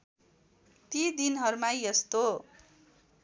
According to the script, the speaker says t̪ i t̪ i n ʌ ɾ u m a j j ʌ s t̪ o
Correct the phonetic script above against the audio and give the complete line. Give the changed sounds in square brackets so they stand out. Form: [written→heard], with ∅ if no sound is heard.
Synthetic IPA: t̪ i [t̪→d̪] i n ʌ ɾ u m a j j ʌ s t̪ o